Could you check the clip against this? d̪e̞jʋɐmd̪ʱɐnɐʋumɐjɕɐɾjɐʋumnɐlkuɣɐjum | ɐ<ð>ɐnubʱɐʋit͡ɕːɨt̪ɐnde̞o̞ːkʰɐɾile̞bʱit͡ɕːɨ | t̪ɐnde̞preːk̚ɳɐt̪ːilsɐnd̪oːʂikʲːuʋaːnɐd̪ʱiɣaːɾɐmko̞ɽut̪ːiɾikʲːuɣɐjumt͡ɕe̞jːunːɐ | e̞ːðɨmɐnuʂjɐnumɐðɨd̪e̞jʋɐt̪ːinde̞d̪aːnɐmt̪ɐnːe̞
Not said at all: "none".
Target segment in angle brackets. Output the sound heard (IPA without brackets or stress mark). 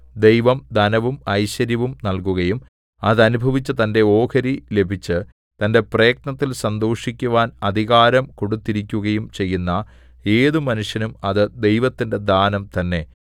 ð